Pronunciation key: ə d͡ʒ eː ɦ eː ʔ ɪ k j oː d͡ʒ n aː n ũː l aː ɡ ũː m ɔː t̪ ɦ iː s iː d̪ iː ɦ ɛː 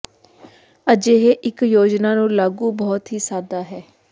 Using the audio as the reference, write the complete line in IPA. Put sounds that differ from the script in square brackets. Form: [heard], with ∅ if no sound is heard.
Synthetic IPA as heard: ə d͡ʒ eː ɦ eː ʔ ɪ k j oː d͡ʒ n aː n ũː l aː ɡ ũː [b] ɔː t̪ ɦ iː s [aː] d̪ [aː] ɦ ɛː